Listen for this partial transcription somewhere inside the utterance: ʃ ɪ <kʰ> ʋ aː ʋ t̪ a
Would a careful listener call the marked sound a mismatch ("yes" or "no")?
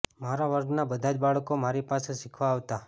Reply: no